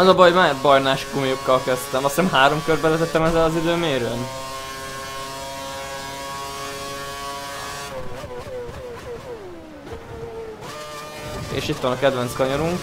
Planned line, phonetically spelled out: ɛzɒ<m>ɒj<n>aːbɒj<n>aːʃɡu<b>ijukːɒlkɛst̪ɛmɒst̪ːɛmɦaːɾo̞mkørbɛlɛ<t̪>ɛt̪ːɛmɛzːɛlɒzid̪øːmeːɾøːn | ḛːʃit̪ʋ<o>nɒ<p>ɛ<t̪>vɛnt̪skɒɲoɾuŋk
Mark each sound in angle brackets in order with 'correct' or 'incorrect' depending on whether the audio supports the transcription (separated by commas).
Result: incorrect, incorrect, correct, incorrect, correct, incorrect, incorrect, incorrect